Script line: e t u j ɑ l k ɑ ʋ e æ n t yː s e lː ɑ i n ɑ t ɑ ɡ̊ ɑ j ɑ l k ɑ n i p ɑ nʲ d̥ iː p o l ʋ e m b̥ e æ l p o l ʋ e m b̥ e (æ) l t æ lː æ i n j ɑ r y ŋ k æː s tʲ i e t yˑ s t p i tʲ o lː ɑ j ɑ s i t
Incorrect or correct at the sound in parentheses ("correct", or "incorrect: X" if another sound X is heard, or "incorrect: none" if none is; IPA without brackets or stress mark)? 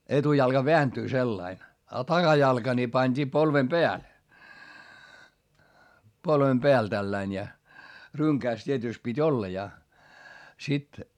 correct